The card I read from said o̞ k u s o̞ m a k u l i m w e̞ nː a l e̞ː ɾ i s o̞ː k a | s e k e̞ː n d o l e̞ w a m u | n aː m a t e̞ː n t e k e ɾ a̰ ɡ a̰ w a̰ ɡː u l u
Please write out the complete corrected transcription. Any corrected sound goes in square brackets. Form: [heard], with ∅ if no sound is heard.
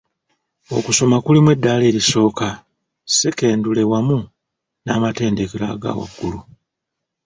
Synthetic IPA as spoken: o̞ k u s o̞ m a k u l i m w e̞ [dː] a l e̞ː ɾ i s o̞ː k a | s e k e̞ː n d [u] l e̞ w a m u | n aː m a t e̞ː n [d] e k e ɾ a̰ ɡ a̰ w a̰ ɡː u l u